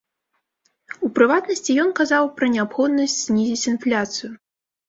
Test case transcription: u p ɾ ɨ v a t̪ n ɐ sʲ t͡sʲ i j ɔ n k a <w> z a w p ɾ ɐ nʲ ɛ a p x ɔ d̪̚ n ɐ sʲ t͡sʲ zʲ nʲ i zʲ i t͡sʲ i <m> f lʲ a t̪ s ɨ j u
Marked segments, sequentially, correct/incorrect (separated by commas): incorrect, incorrect